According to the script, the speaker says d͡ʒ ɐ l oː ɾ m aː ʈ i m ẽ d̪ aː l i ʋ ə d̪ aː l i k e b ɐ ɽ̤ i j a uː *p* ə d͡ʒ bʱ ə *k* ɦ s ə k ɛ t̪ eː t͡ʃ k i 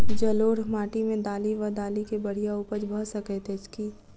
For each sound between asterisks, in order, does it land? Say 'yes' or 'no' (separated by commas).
yes, no